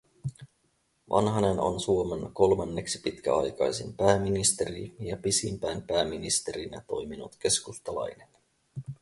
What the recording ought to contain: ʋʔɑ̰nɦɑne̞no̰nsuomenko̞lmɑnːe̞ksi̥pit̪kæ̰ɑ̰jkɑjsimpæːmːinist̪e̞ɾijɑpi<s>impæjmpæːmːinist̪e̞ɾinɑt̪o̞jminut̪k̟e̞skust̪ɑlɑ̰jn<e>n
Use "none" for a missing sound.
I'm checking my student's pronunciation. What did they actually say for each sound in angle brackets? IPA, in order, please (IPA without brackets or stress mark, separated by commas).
s, e